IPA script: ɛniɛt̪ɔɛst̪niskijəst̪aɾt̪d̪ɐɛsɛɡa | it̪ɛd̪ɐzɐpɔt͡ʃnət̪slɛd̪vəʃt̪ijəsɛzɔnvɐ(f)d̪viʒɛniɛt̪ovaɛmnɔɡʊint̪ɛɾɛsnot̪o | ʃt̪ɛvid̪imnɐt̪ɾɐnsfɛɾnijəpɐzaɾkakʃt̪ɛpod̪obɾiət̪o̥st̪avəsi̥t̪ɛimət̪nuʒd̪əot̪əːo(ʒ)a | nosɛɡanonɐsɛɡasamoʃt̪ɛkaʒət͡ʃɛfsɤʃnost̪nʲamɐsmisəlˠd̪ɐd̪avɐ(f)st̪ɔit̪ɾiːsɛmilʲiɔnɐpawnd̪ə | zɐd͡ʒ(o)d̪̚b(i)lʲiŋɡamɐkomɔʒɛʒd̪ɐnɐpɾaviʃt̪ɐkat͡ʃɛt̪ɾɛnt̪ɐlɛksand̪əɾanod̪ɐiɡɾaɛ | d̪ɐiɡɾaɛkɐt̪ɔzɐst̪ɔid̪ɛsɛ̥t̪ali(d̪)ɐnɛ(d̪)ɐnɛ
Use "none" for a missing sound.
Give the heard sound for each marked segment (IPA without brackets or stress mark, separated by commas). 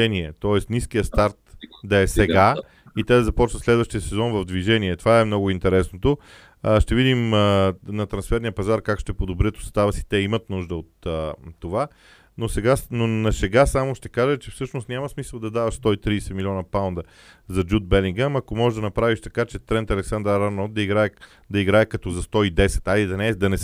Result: v, v, ʃ, u, ɛ, d̪, d̪